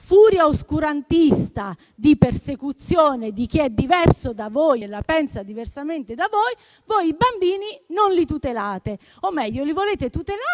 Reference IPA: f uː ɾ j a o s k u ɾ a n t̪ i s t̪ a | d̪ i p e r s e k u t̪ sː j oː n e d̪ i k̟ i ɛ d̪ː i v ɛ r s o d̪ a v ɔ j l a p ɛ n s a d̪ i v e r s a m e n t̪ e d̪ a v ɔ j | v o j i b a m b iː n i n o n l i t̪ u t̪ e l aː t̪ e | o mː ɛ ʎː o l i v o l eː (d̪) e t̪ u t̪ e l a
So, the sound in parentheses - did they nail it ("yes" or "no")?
no